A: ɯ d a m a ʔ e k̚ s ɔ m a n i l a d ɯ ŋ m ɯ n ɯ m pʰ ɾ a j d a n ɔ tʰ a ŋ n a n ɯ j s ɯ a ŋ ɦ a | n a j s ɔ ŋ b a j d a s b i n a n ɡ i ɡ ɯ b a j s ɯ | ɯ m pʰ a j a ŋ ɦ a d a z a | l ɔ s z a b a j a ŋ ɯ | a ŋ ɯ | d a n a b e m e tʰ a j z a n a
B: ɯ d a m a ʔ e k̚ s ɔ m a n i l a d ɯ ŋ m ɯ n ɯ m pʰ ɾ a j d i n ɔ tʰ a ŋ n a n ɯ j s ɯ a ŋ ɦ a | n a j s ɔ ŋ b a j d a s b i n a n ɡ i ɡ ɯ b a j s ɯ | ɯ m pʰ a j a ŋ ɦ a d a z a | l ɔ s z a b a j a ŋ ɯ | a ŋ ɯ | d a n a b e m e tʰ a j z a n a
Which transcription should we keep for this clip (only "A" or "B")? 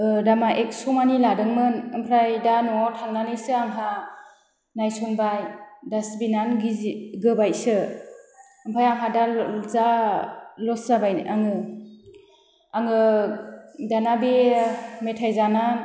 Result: A